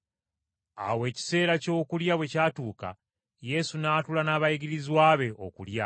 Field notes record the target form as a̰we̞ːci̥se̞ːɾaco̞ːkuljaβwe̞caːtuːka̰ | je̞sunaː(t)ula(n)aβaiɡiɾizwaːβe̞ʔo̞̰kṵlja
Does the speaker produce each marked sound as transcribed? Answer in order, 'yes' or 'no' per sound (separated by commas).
yes, yes